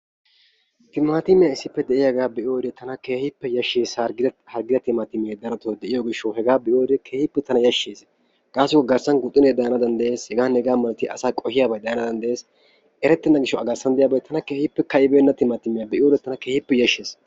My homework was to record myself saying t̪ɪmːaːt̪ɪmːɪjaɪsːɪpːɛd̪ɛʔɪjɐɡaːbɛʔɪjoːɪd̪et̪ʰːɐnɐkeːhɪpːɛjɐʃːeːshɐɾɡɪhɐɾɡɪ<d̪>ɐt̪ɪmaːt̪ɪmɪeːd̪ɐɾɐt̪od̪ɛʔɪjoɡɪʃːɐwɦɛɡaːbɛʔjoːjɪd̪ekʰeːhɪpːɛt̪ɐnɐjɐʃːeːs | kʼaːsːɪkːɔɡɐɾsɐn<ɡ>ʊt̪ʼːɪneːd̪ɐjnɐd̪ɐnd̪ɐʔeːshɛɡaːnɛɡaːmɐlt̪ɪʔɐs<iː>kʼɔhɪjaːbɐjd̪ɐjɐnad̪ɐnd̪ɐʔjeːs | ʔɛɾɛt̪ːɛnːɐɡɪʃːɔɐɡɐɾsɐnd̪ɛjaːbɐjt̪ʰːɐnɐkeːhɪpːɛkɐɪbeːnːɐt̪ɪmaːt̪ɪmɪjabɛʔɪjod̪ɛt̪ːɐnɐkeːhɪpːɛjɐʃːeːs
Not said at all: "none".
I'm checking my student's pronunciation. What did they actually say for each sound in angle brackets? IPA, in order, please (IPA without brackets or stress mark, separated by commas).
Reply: d̪, ɡ, aː